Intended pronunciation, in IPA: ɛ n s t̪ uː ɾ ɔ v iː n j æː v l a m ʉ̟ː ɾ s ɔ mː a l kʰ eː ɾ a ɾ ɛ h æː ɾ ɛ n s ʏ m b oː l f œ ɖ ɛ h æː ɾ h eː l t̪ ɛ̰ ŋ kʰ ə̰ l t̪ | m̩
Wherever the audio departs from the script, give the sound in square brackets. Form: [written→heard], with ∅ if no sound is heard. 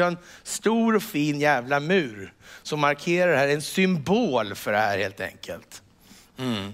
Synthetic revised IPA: ɛ n s t̪ uː ɾ ɔ [v→f] iː n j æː v l a m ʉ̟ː ɾ s ɔ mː a [l→ɾ] kʰ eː ɾ a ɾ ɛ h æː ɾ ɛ n s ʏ m b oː l f œ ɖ ɛ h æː ɾ h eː l t̪ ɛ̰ ŋ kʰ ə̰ l t̪ | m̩